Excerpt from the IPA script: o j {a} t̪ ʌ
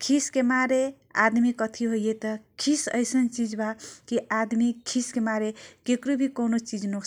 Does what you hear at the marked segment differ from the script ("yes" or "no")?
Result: yes